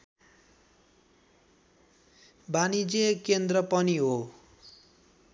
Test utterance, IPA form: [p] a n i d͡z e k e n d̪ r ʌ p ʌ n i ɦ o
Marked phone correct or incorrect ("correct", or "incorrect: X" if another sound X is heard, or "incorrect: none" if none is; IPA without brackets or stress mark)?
incorrect: b